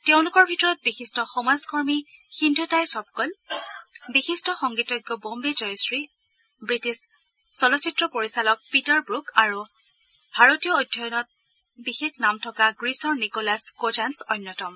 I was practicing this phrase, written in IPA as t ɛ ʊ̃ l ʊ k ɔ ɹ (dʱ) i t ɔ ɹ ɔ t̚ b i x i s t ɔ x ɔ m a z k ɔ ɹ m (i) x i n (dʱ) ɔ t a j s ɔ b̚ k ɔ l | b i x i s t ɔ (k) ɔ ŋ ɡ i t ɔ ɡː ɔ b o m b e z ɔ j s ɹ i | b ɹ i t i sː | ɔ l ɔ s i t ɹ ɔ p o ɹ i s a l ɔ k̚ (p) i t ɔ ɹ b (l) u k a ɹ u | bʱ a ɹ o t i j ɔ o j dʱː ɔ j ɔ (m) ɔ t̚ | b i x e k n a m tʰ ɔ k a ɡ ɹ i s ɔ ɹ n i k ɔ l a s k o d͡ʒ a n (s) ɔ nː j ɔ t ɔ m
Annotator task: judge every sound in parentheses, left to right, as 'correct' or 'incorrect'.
incorrect: bʱ, correct, correct, incorrect: x, correct, incorrect: ɹ, incorrect: n, correct

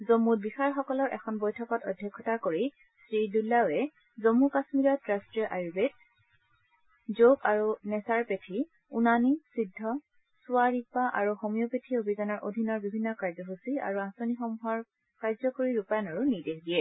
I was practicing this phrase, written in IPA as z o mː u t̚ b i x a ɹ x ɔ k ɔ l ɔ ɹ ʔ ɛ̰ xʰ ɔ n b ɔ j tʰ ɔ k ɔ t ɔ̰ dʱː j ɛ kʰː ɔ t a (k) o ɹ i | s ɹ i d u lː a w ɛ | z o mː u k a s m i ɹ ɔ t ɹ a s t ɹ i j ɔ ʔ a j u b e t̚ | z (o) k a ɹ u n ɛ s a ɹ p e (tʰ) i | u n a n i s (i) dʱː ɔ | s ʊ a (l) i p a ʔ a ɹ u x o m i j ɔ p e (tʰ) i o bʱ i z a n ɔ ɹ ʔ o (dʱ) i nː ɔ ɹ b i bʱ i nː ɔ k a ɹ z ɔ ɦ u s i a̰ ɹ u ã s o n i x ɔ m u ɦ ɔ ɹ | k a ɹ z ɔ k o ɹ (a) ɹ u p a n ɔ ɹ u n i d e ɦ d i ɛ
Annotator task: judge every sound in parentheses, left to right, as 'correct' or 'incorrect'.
correct, correct, correct, correct, incorrect: ɹ, correct, correct, incorrect: i

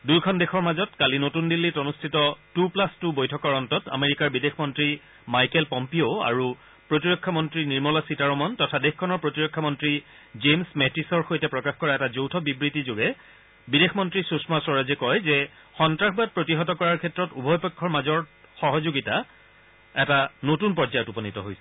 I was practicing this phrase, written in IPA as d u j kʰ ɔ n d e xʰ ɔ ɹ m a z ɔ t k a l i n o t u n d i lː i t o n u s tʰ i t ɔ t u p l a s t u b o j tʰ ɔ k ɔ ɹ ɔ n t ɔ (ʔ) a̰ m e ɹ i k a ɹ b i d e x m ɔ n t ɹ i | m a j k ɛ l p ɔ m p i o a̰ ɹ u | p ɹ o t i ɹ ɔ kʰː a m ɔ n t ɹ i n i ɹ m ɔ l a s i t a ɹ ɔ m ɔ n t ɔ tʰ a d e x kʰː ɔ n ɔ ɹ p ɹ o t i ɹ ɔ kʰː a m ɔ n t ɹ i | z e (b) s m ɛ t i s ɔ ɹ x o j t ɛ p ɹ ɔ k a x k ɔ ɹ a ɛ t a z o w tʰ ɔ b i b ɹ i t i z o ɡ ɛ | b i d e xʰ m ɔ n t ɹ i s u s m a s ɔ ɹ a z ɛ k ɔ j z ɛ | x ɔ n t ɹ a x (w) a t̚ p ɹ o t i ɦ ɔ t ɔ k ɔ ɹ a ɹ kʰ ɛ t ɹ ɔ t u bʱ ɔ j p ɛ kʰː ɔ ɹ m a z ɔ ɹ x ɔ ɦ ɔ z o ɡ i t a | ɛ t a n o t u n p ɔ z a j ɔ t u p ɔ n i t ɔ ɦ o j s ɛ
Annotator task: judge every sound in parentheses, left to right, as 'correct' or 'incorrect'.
incorrect: t, incorrect: m, incorrect: b

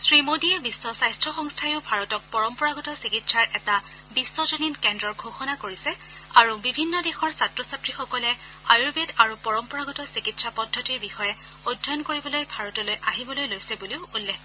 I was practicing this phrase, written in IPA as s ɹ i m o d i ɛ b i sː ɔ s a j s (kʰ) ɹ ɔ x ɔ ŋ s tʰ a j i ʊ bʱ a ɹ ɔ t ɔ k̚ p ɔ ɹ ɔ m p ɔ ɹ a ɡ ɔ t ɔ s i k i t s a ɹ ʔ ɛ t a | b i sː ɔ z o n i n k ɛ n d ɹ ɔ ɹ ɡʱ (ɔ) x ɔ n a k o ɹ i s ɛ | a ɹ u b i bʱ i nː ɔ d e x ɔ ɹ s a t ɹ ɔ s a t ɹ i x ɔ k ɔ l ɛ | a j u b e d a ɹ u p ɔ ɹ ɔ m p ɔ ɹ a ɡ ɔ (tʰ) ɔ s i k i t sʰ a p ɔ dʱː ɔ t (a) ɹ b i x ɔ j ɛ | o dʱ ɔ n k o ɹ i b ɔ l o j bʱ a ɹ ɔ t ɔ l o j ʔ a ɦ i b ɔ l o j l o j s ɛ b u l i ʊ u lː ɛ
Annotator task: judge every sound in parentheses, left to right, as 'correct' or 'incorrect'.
incorrect: tʰ, incorrect: o, incorrect: t, incorrect: i

